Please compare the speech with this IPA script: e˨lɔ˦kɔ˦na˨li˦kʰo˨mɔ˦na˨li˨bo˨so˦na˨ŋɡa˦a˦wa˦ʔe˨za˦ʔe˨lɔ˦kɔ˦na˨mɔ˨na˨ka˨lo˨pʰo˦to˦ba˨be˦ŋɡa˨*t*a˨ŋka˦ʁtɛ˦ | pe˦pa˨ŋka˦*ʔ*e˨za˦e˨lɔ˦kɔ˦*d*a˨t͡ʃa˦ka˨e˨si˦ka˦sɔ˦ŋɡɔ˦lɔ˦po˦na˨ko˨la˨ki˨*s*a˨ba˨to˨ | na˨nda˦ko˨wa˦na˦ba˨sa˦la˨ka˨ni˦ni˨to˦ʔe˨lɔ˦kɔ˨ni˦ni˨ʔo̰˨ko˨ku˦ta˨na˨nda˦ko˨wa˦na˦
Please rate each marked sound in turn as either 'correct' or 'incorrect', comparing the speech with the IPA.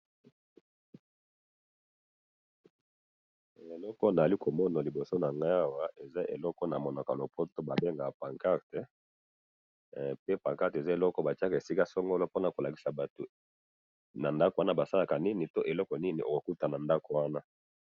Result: incorrect: p, incorrect: t, incorrect: b, correct

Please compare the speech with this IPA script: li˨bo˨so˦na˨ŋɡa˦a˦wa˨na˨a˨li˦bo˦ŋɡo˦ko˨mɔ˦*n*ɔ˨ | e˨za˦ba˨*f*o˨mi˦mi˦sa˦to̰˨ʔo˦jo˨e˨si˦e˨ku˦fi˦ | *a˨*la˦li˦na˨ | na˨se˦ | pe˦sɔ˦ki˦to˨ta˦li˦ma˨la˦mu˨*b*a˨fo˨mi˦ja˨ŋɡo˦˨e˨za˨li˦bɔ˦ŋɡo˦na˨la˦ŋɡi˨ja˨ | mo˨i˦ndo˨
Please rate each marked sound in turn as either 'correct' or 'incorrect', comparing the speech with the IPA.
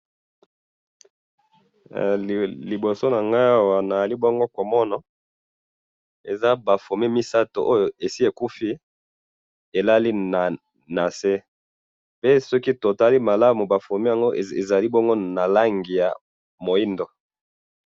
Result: correct, correct, incorrect: e˨, correct

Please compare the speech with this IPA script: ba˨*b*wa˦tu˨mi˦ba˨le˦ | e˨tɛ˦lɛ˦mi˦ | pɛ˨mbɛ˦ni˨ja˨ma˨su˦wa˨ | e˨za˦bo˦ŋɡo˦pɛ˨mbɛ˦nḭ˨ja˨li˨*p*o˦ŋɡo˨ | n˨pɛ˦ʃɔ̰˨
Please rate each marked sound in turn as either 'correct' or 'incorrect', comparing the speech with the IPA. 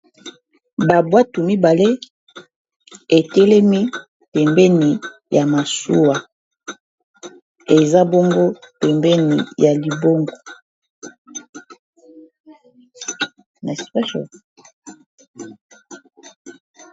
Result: correct, incorrect: b

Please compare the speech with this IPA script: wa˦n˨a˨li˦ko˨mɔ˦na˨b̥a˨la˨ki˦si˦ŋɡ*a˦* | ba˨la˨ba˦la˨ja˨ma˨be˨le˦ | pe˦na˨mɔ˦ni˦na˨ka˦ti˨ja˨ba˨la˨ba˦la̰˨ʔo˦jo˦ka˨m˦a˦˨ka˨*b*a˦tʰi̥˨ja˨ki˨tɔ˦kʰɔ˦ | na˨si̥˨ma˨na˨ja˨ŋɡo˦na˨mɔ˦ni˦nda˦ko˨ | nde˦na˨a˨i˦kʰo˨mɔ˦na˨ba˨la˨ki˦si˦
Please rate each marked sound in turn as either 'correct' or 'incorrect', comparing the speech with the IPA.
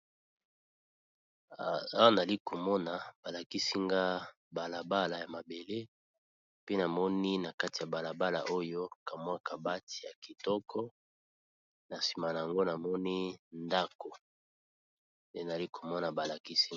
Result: correct, correct

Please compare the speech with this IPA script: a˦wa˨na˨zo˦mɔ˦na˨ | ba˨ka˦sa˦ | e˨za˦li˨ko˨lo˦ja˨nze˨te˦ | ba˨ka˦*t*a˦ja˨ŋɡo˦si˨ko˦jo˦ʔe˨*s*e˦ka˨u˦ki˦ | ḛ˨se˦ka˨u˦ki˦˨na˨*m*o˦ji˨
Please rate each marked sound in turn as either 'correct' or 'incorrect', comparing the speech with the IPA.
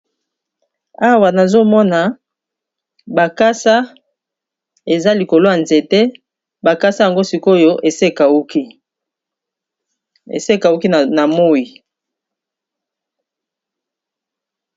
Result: incorrect: s, correct, correct

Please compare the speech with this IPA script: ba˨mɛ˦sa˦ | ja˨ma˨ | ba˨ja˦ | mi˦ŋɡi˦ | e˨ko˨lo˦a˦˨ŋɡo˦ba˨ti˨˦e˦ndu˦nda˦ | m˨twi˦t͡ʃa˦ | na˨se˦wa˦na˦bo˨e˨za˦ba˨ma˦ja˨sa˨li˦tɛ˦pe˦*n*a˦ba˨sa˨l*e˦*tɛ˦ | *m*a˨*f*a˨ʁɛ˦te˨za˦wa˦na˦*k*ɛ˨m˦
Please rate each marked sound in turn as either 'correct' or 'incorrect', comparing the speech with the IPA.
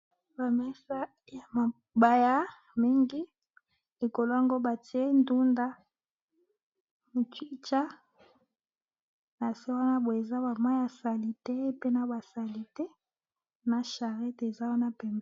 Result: correct, incorrect: i˦, incorrect: n, incorrect: ʃ, incorrect: p

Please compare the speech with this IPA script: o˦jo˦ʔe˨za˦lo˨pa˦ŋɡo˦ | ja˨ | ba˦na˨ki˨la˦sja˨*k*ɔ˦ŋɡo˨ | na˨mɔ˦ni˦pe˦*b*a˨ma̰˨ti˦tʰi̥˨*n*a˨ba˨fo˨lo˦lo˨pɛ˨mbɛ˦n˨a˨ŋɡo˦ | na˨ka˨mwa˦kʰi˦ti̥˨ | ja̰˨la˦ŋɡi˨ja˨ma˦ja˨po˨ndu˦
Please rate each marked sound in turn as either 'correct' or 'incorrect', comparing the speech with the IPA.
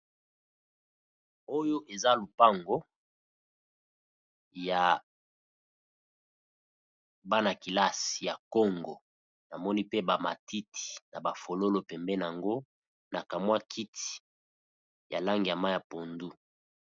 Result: correct, correct, correct

